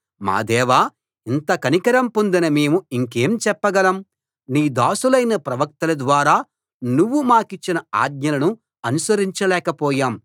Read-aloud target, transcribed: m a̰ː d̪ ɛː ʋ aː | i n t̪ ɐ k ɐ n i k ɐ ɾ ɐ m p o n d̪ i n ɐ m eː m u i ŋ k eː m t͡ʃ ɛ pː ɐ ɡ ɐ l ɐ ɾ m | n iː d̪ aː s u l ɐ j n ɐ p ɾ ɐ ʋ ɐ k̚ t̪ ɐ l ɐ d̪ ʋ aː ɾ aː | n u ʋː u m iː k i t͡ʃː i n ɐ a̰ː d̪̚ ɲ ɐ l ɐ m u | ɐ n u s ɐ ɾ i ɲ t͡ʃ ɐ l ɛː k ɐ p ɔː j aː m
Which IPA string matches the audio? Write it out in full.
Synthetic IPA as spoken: m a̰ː d̪ ɛː ʋ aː | i n t̪ ɐ k ɐ n i k ɐ ɾ ɐ m p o n d̪ i n ɐ m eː m u i ŋ k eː m t͡ʃ ɛ pː ɐ ɡ ɐ l ɐ m | n iː d̪ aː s u l ɐ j n ɐ p ɾ ɐ ʋ ɐ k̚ t̪ ɐ l ɐ d̪ ʋ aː ɾ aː | n u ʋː u m aː k i t͡ʃː i n ɐ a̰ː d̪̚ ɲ ɐ l ɐ n u | ɐ n u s ɐ ɾ i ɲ t͡ʃ ɐ l ɛː k ɐ p ɔː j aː m